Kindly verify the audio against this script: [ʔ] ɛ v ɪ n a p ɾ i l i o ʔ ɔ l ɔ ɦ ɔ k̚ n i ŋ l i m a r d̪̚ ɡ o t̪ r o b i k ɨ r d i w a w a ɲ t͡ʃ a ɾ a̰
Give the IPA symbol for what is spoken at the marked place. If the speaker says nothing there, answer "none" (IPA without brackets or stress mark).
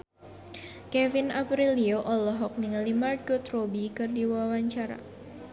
k